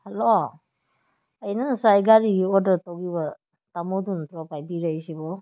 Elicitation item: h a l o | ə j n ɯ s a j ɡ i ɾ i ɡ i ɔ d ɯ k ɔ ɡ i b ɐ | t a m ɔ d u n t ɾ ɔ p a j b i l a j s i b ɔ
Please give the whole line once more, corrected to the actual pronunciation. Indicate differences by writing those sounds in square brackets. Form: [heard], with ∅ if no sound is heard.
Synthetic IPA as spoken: h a l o | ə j n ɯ s a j ɡ [a] ɾ i ɡ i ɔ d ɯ [t] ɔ ɡ i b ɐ | t a m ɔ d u n t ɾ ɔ p a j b i [ɾ] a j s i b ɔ